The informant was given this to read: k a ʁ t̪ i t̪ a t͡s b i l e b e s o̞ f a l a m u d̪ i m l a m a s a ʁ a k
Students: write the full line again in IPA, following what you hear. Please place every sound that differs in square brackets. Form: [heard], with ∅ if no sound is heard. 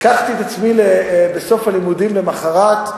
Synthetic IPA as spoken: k a [χ] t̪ i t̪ a t͡s [m] i l e b e s o̞ f a l [i] m u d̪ i m l [e] m a [χ] a ʁ a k